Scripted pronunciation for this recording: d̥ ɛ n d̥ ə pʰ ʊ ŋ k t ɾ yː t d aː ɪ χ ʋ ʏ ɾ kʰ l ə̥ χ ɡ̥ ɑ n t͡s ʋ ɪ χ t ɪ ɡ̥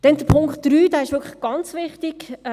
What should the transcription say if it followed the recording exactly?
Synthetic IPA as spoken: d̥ ɛ n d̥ ə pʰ ʊ ŋ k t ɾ yː d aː ɪ ʃ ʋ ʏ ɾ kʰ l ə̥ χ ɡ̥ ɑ n t͡s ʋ ɪ χ t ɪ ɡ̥